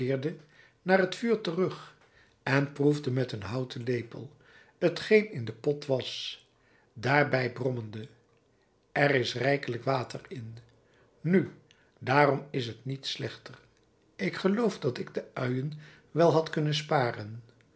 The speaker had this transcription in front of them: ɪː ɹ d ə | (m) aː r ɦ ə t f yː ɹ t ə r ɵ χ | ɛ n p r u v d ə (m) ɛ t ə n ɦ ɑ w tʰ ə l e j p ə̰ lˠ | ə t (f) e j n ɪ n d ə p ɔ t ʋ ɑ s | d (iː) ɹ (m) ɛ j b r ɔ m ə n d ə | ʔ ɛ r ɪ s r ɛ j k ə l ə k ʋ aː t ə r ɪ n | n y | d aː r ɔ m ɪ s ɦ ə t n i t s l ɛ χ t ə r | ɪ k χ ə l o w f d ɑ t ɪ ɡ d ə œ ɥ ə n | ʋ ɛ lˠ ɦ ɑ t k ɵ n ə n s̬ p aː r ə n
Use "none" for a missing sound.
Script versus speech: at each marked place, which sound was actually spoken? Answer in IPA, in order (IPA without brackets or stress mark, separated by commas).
n, m, χ, aː, b